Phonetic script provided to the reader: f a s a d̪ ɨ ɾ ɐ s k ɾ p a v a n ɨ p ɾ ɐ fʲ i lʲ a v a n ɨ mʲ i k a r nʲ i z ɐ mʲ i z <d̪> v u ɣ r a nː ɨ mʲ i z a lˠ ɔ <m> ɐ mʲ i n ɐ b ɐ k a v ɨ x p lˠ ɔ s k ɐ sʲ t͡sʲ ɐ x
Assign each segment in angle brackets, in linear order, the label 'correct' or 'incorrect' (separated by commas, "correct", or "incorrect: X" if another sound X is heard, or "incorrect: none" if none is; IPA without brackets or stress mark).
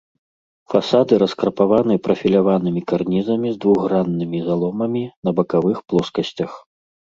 correct, correct